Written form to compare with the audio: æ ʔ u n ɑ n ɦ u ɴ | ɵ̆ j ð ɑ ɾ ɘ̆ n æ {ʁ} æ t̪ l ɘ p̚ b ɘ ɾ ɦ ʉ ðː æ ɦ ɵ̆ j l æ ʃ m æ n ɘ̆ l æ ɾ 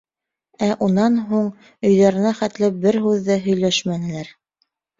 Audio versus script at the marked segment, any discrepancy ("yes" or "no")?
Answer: yes